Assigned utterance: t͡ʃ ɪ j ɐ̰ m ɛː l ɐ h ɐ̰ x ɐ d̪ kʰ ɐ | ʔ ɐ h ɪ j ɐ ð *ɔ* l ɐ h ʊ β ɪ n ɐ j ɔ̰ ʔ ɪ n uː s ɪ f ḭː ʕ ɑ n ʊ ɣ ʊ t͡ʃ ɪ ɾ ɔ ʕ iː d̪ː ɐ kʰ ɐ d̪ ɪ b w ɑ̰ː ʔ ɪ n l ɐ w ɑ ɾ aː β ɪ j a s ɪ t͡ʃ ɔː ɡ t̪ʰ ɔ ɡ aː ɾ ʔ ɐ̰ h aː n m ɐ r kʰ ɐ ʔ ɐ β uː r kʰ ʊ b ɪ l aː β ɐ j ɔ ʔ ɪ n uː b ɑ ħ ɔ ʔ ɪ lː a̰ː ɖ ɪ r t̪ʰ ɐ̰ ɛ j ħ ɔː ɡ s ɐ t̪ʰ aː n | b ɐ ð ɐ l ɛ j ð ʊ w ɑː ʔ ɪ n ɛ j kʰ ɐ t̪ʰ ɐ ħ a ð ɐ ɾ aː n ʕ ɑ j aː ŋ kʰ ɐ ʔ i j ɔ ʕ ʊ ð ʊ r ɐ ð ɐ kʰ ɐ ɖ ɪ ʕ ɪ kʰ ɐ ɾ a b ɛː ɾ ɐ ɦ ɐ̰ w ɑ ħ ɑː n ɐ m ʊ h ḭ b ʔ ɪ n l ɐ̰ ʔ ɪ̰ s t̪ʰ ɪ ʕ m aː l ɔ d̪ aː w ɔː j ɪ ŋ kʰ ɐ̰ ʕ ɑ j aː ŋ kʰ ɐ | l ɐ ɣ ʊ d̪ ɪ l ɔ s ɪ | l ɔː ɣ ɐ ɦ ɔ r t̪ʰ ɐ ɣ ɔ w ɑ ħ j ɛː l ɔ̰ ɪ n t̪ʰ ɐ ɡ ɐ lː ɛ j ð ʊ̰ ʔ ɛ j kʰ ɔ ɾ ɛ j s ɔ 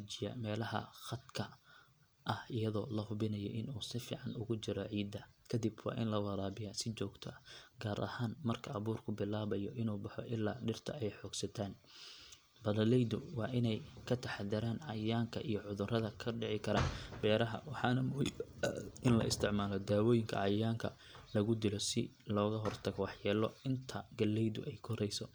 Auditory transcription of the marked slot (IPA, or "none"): ɔː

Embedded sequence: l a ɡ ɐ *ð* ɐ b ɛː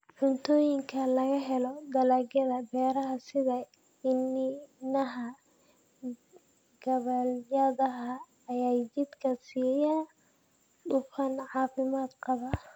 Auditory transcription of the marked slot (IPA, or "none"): ð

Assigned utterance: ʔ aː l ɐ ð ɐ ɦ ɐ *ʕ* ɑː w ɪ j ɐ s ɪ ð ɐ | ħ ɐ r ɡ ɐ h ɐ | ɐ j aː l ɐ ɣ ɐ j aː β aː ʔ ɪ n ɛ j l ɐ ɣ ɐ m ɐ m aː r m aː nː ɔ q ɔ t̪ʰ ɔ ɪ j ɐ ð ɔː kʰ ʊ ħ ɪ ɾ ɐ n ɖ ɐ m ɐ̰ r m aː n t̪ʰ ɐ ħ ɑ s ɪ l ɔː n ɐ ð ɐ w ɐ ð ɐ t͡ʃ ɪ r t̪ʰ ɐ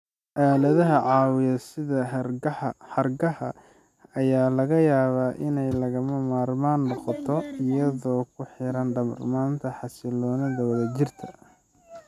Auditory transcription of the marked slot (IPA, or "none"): ʕ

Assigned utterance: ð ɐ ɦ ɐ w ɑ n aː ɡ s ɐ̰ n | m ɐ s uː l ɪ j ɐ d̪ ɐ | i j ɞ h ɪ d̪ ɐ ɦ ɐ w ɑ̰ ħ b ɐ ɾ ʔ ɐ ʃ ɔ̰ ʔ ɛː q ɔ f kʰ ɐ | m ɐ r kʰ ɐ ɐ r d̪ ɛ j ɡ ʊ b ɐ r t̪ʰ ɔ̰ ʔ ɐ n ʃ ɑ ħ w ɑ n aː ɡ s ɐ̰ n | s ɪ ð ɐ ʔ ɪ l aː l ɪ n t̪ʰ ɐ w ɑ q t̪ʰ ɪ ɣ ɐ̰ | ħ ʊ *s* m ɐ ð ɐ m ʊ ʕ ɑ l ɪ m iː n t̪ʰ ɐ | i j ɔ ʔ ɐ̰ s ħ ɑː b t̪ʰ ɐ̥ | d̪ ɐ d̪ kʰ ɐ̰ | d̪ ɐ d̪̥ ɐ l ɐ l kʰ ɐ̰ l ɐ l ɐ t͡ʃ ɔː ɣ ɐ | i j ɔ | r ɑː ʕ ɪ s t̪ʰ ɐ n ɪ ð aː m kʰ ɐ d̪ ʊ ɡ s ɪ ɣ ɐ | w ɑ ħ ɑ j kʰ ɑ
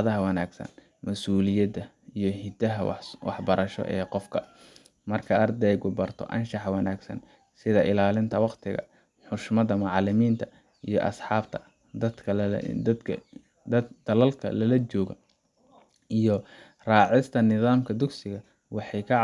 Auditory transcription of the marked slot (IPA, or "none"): ʃ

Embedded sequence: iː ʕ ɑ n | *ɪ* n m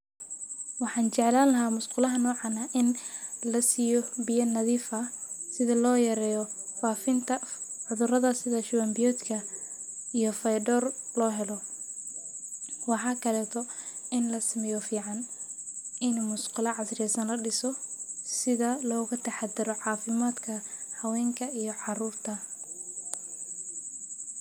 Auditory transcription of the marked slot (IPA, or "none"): ɪ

